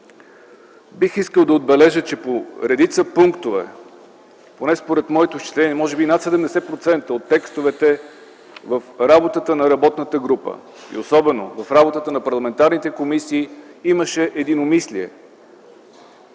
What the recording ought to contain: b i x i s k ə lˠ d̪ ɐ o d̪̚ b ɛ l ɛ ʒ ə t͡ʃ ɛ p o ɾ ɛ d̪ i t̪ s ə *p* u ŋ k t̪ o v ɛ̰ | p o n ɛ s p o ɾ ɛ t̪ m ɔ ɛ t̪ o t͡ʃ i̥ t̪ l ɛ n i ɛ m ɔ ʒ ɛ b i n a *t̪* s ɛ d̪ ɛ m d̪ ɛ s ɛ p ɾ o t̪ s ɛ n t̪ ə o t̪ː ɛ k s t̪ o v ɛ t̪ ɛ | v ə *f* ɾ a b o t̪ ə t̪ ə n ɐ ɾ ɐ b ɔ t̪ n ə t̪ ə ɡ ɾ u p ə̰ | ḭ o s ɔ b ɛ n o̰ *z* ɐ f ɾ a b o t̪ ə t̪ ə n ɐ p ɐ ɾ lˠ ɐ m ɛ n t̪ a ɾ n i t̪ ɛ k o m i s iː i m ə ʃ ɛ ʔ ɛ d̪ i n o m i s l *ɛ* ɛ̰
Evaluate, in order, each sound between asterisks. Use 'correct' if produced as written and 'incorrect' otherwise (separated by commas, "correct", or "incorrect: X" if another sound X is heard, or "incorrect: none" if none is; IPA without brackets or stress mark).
correct, correct, correct, incorrect: v, incorrect: i